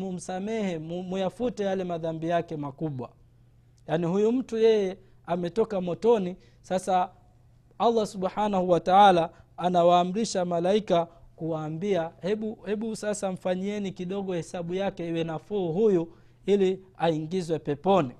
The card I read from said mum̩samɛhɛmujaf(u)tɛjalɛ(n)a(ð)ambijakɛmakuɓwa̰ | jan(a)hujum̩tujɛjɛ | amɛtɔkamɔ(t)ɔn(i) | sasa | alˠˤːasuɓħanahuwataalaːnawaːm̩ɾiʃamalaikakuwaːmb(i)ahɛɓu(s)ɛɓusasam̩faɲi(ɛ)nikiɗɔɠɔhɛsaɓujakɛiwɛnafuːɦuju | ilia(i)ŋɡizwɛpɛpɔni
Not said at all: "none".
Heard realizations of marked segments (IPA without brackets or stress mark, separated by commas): u, m, ð, i, t, i, i, h, ɛ, i